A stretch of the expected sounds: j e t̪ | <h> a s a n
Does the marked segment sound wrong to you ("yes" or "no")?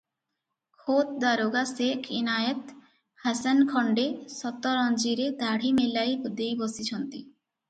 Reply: no